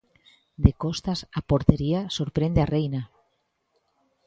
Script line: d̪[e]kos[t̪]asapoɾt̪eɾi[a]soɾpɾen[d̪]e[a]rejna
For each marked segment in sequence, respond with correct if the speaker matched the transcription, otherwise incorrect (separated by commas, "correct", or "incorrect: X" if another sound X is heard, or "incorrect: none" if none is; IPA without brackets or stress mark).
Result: correct, correct, correct, correct, correct